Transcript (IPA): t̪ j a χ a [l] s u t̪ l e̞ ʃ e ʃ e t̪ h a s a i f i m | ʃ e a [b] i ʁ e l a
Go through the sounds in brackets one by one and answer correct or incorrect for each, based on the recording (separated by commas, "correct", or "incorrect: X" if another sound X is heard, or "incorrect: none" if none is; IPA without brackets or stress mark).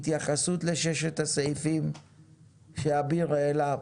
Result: incorrect: none, correct